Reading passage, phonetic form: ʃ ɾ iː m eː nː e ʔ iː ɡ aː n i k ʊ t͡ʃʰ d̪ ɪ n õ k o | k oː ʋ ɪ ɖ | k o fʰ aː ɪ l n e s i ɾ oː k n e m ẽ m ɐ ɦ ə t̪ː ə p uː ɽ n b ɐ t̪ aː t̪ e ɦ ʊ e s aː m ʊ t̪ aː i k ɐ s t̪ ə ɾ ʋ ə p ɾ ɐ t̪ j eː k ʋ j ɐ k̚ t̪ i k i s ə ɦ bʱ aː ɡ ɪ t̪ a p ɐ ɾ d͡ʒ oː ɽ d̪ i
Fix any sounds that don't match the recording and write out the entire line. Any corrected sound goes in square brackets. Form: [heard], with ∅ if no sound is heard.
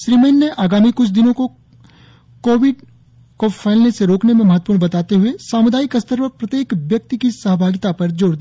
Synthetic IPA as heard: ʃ ɾ iː m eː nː e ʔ [aː] ɡ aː [m] i k ʊ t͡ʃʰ d̪ ɪ n õ k o | k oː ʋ ɪ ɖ | k o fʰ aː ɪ l n e s [e] ɾ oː k n e m ẽ m ɐ ɦ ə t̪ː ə p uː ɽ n b ɐ t̪ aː t̪ e ɦ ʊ e s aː m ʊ [d̪] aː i k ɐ s t̪ ə ɾ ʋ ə p ɾ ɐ t̪ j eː k ʋ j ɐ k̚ t̪ i k i s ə ɦ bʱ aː ɡ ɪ t̪ a p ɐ ɾ d͡ʒ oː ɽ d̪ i

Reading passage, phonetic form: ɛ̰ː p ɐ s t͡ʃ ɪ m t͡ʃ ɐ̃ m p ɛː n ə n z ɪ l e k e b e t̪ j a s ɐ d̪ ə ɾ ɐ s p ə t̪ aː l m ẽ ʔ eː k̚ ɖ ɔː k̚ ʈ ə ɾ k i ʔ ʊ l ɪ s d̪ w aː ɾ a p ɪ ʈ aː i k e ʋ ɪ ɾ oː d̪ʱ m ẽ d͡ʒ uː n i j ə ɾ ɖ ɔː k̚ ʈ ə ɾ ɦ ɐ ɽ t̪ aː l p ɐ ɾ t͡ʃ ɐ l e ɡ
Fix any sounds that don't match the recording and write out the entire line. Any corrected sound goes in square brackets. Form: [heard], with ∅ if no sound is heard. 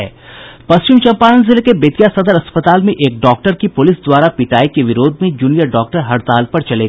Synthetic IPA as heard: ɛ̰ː p ɐ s t͡ʃ ɪ m t͡ʃ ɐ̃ m p [aː] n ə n z ɪ l e k e b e t̪ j a s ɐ d̪ ə ɾ ɐ s p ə t̪ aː l m ẽ ʔ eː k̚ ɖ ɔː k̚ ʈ ə ɾ k i [p] ʊ l ɪ s d̪ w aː ɾ a p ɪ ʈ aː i k e ʋ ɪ ɾ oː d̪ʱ m ẽ d͡ʒ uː n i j ə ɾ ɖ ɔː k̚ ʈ ə ɾ ɦ ɐ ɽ t̪ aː l p ɐ ɾ t͡ʃ ɐ l e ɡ

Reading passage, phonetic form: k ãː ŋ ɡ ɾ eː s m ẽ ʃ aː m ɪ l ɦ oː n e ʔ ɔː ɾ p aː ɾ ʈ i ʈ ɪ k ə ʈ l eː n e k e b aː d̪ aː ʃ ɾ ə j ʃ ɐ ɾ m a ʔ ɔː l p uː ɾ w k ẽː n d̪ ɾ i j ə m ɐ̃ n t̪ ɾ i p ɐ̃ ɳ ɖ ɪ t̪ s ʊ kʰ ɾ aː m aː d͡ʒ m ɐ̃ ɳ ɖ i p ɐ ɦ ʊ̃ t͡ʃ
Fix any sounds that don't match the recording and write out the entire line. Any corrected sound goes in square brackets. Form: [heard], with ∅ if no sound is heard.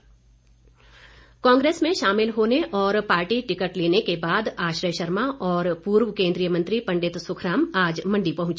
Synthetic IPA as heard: k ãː ŋ ɡ ɾ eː s m ẽ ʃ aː m ɪ l ɦ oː n e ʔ ɔː ɾ p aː ɾ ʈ i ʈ ɪ k ə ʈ l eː n e k e b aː d̪ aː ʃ ɾ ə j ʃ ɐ ɾ m a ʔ ɔː [ɾ] p uː ɾ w k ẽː n d̪ ɾ i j ə m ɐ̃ n t̪ ɾ i p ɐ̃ ɳ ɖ ɪ t̪ s ʊ kʰ ɾ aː m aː d͡ʒ m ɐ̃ ɳ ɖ i p ɐ ɦ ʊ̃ t͡ʃ

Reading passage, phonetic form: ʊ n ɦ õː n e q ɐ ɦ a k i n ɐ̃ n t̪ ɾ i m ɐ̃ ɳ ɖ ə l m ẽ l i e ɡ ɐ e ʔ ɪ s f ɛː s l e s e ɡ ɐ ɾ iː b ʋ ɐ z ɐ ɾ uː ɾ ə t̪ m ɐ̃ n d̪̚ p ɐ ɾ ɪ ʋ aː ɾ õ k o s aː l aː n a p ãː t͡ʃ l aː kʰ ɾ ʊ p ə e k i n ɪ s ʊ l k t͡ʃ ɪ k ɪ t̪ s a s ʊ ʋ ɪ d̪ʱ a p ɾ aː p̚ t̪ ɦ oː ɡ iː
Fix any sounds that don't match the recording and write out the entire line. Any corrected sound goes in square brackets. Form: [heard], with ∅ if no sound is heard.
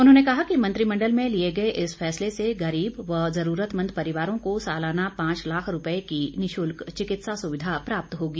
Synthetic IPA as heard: ʊ n ɦ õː n e [k] ɐ ɦ a k i [m] ɐ̃ n t̪ ɾ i m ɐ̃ ɳ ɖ ə l m ẽ l i e ɡ ɐ e ʔ ɪ s f ɛː s l e s e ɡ ɐ ɾ iː b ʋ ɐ z ɐ ɾ uː ɾ ə t̪ m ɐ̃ n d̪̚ p ɐ ɾ ɪ ʋ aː ɾ õ k o s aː l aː n a p ãː t͡ʃ l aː kʰ ɾ ʊ p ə e k i n ɪ [ʃ] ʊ l k t͡ʃ ɪ k ɪ t̪ s a s ʊ ʋ ɪ d̪ʱ a p ɾ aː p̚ t̪ ɦ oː ɡ iː

